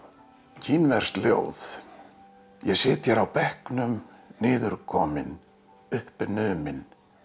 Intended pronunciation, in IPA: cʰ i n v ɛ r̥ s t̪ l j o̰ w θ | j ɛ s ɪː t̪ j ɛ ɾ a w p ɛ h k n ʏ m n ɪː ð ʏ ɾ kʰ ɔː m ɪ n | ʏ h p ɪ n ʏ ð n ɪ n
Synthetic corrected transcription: cʰ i n v ɛ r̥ s t̪ l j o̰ w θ | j ɛ s ɪː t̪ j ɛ ɾ a w p ɛ h k n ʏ m n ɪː ð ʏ ɾ kʰ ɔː m ɪ n | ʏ h p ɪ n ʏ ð m ɪ n